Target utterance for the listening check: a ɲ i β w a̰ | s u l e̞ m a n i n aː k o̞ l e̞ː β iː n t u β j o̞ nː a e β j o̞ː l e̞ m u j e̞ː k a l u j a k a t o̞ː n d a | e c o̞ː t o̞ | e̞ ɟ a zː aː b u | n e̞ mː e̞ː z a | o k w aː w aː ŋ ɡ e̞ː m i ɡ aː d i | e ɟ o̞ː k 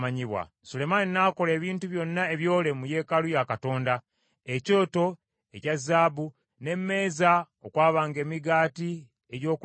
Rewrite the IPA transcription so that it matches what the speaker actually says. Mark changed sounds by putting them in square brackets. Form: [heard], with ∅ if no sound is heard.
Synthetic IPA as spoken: a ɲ i β w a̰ | s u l e̞ m a n i n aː k o̞ l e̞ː β iː n t u β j o̞ nː a e β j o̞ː l e̞ m u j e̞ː k a l u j a k a t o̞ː n d a | e c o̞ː t o̞ | e̞ [c] a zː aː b u | n e̞ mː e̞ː z a | o k w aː [β] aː ŋ ɡ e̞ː m i ɡ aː [t] i | e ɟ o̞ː k

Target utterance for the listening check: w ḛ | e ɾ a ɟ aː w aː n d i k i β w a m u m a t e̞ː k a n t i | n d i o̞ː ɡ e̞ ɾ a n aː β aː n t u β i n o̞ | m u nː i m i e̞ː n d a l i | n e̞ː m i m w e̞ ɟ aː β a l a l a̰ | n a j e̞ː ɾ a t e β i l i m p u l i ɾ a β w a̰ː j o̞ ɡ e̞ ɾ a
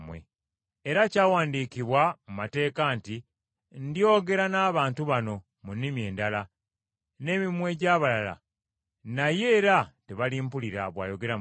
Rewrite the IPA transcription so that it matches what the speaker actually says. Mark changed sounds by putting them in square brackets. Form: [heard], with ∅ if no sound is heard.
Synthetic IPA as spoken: w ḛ | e ɾ a [c] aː w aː n d i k i β w a m u m a t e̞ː k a n t i | n d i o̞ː ɡ e̞ ɾ a n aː β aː n t u β [a] n o̞ | m u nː i m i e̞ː n d a l [a] | n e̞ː m i m w e̞ ɟ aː β a l a l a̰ | n a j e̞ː ɾ a t e β [a] l i m p u l i ɾ a β w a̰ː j o̞ ɡ e̞ ɾ a

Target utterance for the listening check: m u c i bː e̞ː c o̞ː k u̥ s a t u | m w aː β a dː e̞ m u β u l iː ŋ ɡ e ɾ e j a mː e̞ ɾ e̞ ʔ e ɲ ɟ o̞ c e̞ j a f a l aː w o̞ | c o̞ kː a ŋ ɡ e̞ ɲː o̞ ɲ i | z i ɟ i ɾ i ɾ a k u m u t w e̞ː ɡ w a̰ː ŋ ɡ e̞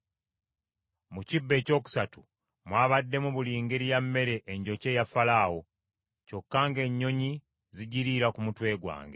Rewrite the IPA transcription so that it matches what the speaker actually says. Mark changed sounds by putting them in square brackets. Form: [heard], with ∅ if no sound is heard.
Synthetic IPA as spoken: m u c i bː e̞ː c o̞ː k u̥ s a t u | m w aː β a dː e̞ m u β u l iː ŋ ɡ e ɾ [i] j a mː e̞ ɾ e̞ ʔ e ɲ ɟ o̞ c e̞ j a f a l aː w o̞ | c o̞ kː a ŋ ɡ e̞ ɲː o̞ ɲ i | z i ɟ i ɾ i ɾ a k u m u t w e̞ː ɡ w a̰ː ŋ ɡ e̞

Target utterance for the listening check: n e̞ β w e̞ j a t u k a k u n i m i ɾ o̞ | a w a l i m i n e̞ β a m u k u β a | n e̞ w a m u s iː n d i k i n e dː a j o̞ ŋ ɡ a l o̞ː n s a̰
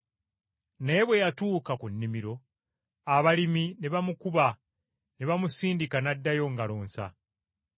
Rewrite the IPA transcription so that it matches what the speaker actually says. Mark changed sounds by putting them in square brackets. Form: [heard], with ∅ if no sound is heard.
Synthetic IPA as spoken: n e̞ β w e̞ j a t [uː] k a k u [nː] i m i ɾ o̞ | a [β] a l i m i n e̞ β a m u k u β a | n e̞ [β] a m u s iː n d i k [a] n [a] dː a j o̞ ŋ ɡ a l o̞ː n s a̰

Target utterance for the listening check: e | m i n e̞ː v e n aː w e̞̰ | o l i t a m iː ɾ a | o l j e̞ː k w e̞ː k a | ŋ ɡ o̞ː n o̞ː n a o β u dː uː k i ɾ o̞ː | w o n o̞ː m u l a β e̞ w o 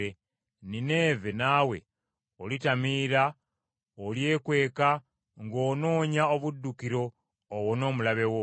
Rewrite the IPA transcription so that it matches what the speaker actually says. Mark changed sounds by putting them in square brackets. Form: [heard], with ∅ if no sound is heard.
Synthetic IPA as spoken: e | [n] i n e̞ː v e n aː w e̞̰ | o l i t a m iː ɾ a | o l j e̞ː k w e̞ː k a | ŋ ɡ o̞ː n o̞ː [ɲ] a o β u dː [u] k i ɾ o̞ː | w o n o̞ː m u l a β e̞ w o

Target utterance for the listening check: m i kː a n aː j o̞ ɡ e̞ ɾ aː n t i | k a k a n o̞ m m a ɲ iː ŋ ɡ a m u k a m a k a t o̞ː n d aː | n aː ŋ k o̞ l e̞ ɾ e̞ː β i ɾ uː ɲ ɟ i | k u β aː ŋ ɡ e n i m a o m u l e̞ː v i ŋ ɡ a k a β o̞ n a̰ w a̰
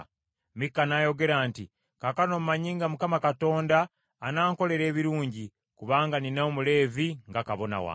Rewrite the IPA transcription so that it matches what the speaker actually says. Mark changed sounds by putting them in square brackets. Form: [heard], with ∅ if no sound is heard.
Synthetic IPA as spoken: m i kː a n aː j o̞ ɡ e̞ ɾ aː n t i | k a k a n o̞ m m a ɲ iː ŋ ɡ a m u k a m a k a t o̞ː n d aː | n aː ŋ k o̞ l e̞ ɾ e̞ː β i ɾ uː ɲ ɟ i | k u β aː ŋ ɡ [a] n i [n] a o m u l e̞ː v i ŋ ɡ a k a β o̞ n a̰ w a̰

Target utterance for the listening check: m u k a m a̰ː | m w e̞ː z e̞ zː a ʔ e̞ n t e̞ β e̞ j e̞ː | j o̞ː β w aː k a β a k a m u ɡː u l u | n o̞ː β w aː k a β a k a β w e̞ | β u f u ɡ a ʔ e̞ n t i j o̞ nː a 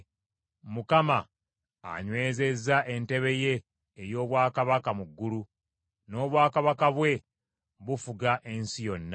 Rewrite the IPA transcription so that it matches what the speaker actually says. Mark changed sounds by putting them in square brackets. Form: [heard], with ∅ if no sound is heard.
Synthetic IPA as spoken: m u k a m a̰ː | [ɲ] w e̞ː z e̞ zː a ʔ e̞ n t e̞ β e̞ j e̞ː | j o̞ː β w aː k a β a k a m u ɡː u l u | n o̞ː β w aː k a β a k a β w e̞ | β u f u ɡ a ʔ e̞ n [s] i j o̞ nː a

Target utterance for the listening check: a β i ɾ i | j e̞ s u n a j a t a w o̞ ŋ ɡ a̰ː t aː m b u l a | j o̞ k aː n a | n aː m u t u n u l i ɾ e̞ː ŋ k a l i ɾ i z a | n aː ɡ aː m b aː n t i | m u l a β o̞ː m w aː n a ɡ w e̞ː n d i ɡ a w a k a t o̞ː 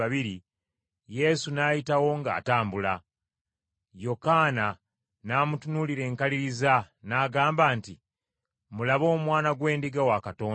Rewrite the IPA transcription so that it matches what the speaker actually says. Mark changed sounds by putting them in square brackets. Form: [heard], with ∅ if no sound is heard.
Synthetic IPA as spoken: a β i ɾ i | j e̞ s u n a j [i] t a w o̞ ŋ ɡ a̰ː t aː m b u l a | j o̞ k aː n a | n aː m u t u n u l i ɾ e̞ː ŋ k a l i ɾ i z a | n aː ɡ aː m b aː n t i | m u l a β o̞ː m w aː n a ɡ w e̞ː n d i ɡ a w a k a t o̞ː

